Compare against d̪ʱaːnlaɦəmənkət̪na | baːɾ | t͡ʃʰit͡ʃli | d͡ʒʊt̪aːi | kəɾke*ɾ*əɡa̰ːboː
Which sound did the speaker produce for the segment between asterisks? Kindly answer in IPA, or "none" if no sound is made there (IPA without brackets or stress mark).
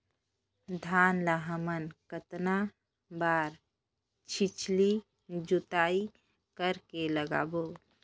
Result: l